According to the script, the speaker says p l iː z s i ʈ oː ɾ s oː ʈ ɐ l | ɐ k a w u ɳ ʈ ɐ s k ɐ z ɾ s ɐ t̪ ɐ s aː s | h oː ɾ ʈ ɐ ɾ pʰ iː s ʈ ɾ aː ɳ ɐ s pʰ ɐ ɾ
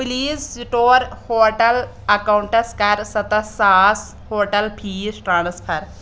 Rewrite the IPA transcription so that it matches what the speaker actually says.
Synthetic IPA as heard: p l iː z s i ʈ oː ɾ h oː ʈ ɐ l | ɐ k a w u ɳ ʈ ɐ s k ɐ ɾ s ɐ t̪ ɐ s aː s | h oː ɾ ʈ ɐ l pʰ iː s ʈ ɾ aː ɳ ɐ s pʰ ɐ ɾ